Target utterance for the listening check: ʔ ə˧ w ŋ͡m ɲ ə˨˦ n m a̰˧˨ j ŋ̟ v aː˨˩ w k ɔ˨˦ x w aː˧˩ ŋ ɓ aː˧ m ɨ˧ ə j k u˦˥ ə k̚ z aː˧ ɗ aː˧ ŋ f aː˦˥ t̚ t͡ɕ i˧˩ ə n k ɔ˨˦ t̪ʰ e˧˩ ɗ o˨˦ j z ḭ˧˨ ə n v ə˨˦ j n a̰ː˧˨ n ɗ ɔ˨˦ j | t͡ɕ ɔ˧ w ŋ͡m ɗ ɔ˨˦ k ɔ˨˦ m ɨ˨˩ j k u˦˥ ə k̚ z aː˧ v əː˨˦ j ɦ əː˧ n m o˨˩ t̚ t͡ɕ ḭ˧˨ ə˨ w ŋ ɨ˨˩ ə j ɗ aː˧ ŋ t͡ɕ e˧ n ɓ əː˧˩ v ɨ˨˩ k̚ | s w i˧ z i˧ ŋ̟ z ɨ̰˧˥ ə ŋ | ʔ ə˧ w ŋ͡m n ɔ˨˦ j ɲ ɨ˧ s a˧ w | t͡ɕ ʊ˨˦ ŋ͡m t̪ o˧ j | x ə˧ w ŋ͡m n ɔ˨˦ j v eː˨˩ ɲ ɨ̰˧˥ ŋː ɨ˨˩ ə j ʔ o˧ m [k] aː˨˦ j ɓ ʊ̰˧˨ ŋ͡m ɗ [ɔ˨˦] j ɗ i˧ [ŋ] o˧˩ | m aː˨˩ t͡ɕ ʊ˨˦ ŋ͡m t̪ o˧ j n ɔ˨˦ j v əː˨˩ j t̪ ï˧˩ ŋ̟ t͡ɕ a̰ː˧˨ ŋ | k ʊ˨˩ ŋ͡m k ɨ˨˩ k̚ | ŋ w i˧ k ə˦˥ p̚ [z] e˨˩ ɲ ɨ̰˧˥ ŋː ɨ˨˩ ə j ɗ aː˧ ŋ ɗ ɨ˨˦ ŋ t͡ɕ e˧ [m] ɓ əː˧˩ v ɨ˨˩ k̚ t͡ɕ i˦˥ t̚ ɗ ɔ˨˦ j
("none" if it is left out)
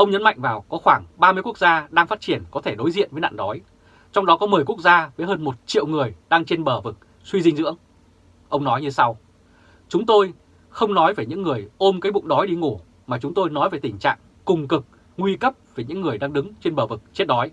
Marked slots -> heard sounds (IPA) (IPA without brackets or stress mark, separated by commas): k, ɔ˨˦, ŋ, v, n